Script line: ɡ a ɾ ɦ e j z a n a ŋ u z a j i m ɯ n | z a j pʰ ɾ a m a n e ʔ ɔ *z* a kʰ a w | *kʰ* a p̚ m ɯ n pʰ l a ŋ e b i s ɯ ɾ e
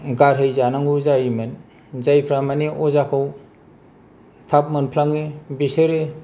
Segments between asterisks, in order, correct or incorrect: correct, incorrect: tʰ

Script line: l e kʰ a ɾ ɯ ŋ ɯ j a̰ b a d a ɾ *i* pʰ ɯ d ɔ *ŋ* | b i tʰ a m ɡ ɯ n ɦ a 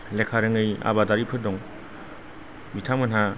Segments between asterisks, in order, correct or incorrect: correct, correct

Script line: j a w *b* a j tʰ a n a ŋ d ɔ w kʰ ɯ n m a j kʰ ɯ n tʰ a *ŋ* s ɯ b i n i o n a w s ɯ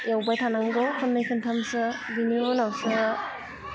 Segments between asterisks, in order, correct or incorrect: correct, incorrect: m

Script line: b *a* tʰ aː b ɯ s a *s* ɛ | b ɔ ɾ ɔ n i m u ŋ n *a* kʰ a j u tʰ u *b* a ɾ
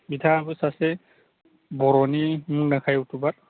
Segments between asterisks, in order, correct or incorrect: incorrect: i, correct, correct, correct

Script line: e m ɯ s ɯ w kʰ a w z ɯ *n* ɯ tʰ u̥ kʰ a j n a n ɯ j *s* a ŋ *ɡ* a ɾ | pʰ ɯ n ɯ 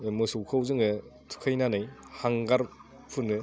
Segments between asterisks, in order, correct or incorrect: incorrect: ŋ, incorrect: h, correct

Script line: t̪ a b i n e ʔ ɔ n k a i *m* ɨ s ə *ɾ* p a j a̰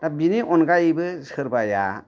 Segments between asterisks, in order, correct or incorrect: incorrect: b, correct

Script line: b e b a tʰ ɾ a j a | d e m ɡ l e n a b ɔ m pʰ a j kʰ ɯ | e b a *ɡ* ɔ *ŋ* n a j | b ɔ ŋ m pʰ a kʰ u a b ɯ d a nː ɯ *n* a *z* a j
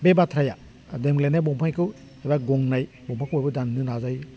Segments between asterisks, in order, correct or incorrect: correct, correct, correct, correct

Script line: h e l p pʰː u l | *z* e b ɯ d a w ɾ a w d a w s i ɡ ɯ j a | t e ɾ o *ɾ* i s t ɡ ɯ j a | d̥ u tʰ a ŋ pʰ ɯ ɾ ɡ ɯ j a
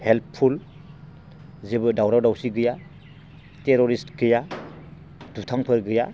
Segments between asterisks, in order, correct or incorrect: correct, correct

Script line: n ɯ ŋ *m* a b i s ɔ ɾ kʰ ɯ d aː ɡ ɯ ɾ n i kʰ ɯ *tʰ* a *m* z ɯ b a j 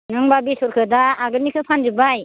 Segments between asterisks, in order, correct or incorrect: incorrect: b, incorrect: pʰ, incorrect: n

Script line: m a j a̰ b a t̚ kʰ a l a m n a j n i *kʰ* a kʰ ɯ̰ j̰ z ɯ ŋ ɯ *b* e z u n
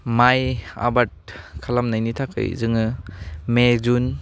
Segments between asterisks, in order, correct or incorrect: incorrect: tʰ, incorrect: m

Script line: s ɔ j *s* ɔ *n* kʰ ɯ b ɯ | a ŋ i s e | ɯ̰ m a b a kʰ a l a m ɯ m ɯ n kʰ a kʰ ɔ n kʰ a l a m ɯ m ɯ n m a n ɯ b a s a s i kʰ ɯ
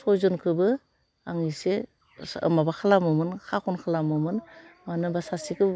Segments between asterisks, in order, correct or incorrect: incorrect: z, correct

